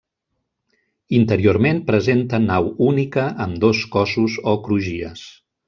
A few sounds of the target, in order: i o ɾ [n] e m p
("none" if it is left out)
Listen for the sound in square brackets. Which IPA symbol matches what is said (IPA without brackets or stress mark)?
m